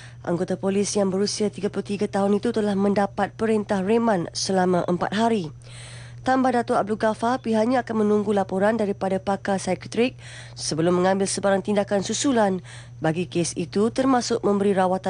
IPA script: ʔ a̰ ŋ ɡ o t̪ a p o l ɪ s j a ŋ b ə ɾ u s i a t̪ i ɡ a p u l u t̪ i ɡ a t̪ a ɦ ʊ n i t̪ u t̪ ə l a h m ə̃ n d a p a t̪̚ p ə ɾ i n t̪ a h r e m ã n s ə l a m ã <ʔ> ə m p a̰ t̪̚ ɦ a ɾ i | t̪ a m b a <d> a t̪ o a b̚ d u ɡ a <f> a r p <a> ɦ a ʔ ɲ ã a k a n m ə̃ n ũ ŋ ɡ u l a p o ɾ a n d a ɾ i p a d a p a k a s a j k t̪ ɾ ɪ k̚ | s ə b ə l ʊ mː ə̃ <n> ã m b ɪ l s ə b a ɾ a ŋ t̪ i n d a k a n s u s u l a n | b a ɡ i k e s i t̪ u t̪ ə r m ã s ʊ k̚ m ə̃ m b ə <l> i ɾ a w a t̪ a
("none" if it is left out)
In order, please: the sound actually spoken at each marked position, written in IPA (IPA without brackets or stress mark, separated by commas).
ʔ, d, f, i, ŋ, ɾ